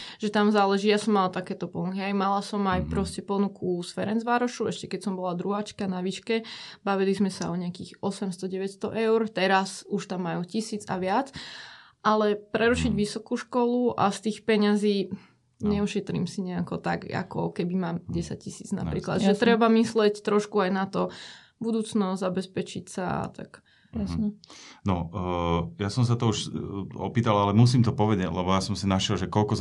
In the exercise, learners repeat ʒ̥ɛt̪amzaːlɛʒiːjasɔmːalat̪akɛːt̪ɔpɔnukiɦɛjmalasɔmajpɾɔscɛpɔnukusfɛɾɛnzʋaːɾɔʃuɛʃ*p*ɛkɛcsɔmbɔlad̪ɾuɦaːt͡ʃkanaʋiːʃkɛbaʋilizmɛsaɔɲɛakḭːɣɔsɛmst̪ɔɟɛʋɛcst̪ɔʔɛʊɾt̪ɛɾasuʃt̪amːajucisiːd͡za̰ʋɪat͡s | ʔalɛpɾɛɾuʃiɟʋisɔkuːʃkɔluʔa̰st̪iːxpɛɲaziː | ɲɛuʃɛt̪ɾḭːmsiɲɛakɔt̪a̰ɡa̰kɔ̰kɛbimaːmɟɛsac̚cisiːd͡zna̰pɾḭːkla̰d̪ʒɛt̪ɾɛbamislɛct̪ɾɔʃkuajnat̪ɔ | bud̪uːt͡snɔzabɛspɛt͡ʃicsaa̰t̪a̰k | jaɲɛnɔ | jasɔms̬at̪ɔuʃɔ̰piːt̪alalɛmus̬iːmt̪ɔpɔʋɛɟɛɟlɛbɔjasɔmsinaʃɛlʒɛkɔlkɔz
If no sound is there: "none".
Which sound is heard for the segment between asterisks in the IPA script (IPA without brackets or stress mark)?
c